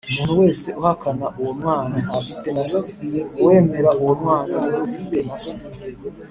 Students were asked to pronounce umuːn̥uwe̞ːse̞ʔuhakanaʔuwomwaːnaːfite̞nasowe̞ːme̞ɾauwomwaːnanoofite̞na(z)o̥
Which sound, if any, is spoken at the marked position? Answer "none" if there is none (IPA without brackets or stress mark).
s